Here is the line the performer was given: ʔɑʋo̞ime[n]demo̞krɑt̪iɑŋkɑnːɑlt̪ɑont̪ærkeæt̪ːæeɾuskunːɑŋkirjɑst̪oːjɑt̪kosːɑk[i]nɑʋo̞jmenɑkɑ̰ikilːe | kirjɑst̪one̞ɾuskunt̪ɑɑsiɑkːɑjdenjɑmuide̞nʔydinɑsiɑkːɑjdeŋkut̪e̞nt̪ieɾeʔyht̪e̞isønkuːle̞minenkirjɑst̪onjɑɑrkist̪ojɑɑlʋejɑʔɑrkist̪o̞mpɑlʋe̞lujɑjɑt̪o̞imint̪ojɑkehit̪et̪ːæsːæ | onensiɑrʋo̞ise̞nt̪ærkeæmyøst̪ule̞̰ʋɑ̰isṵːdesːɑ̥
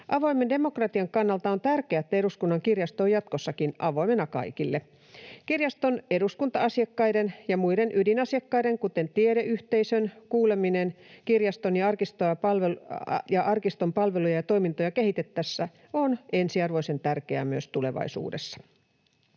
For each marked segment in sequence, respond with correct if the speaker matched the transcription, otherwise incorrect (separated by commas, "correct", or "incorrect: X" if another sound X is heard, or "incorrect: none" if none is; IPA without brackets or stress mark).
correct, correct